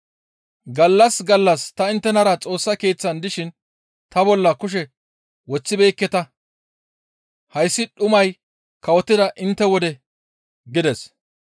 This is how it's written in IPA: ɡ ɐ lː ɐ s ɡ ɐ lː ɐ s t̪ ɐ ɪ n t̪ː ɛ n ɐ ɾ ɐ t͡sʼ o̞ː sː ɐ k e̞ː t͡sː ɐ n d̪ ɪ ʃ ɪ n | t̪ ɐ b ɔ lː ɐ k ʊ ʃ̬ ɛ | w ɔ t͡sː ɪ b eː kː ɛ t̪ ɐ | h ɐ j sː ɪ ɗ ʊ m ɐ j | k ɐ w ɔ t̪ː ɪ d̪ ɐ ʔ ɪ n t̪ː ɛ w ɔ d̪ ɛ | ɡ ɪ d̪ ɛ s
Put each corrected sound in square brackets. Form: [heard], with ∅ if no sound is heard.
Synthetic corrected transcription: ɡ ɐ lː ɐ s ɡ ɐ lː ɐ s t̪ ɐ ɪ n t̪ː ɛ n ɐ ɾ ɐ t͡sʼ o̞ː sː ɐ k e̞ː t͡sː ɐ n d̪ ɪ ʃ ɪ n | t̪ ɐ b ɔ lː ɐ k ʊ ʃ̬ ɛ | w ɔ t͡sː ɪ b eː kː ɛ t̪ ɐ | h ɐ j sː ɪ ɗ ʊ m ɐ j | k ɐ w ɔ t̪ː ɪ d̪ ɐ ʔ ɪ n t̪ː ɛ w ɔ d̪ ɛ | ɡ ɪ d̪ ɛ s